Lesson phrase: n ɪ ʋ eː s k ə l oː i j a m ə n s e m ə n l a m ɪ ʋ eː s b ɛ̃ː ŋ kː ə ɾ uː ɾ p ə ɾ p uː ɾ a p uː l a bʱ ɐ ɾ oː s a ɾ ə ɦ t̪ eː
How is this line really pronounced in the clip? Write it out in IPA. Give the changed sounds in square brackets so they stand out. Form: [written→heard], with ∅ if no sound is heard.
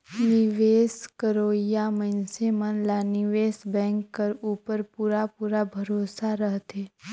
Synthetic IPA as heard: n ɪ ʋ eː s k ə [l→ɾ] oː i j a m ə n s e m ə n l a [m→n] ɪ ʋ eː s b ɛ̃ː ŋ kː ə ɾ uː [ɾ→∅] p ə ɾ p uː ɾ a p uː [l→ɾ] a bʱ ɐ ɾ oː s a ɾ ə ɦ t̪ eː